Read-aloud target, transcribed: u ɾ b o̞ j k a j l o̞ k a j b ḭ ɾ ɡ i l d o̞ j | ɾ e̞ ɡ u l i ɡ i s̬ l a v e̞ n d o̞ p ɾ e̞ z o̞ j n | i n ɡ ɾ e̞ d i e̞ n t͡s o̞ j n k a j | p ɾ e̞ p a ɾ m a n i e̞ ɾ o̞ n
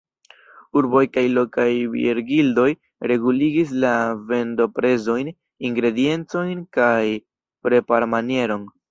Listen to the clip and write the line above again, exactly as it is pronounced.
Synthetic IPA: u ɾ b o̞ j k a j l o̞ k a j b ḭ ɾ ɡ i l d o̞ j | ɾ e̞ ɡ u l i ɡ i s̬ l a v e̞ n d o̞ p ɾ e̞ z o̞ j n | i ŋ ɡ ɾ e̞ d i e̞ n t͡s o̞ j n k a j | p ɾ e̞ p a ɾ m a n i e̞ ɾ o̞ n